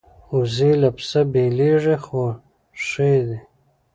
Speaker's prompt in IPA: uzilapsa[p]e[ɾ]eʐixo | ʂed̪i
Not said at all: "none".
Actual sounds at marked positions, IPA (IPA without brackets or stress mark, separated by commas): b, l